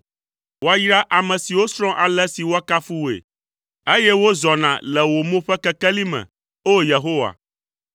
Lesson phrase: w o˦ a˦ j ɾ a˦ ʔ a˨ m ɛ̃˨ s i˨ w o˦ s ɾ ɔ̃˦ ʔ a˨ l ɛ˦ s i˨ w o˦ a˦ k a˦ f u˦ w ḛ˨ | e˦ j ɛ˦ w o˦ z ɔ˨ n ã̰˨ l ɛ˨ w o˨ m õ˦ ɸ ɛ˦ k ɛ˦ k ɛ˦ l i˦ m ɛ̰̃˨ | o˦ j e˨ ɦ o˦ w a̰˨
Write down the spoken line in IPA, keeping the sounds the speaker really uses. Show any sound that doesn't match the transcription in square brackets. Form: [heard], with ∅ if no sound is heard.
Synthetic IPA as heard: w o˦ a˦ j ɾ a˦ ʔ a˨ m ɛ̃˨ s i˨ w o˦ s ɾ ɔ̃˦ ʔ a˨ l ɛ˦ s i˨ w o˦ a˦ k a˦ f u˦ w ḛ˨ | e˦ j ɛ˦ w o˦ z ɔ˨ n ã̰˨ l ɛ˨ w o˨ m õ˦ ɸ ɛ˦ k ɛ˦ k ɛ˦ l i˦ m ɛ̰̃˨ | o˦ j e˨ ɦ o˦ w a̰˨